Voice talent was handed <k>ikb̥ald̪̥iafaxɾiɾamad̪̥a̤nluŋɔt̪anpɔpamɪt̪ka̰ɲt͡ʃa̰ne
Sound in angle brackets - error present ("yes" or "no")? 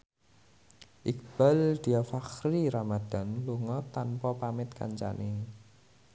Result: yes